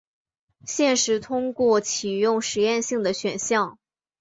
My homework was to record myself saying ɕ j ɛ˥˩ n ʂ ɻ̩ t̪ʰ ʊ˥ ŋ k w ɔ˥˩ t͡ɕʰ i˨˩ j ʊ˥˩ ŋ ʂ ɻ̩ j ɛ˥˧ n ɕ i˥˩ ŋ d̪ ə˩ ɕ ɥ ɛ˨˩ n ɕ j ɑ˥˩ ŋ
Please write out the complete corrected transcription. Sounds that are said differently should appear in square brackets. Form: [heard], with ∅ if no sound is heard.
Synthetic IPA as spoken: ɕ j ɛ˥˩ n ʂ ɻ̩ t̪ʰ ʊ˥ ŋ k w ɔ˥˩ t͡ɕʰ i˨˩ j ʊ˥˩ ŋ ʂ ɻ̩ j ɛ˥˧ n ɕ i˥˩ ŋ d̪ ə˩ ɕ ɥ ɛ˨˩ n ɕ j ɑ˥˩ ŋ